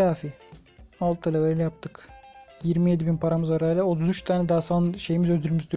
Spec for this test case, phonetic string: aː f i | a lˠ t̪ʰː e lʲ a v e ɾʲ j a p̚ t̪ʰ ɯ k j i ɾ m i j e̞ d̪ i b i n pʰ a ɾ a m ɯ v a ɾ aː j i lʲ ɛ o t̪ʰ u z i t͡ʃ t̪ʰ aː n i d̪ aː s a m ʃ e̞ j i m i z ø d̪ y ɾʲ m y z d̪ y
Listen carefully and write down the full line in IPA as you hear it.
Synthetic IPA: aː f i | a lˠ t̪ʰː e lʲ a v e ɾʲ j a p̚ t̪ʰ ɯ k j i ɾ m i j e̞ d̪ i b i n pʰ a ɾ a m ɯ z a ɾ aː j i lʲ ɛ o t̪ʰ u z y t͡ʃ t̪ʰ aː n ɛ d̪ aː s a n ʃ e̞ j i m i z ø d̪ y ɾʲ m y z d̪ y